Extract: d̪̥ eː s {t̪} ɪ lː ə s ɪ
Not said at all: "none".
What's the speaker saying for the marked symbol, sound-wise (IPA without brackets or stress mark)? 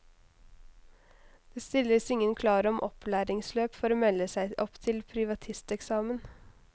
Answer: t̪